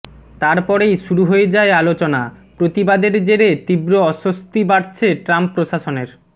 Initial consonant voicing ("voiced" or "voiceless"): voiceless